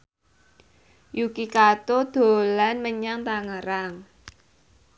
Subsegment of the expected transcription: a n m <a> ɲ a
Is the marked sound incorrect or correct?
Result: incorrect